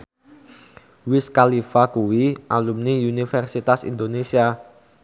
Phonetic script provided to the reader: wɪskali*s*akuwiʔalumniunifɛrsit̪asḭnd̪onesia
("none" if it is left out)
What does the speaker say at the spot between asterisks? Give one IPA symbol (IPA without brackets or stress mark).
f